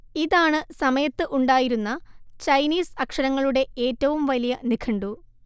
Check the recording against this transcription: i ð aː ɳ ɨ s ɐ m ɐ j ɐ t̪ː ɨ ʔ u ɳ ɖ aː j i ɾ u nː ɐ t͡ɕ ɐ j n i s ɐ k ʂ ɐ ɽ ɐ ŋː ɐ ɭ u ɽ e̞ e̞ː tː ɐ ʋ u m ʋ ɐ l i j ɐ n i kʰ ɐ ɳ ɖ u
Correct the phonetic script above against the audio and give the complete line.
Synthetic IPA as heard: i ð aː ɳ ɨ s ɐ m ɐ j ɐ t̪ː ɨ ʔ u ɳ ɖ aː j i ɾ u nː ɐ t͡ɕ ɐ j n iː s ɐ k ʂ ɐ ɾ ɐ ŋː ɐ ɭ u ɽ e̞ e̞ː tː ɐ ʋ u m ʋ ɐ l i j ɐ n i kʰ ɐ ɳ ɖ u